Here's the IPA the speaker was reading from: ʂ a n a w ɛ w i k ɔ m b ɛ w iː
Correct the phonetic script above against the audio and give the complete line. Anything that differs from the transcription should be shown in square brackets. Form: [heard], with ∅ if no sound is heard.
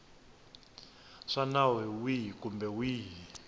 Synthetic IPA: ʂ a n a w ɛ w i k [u] m b ɛ w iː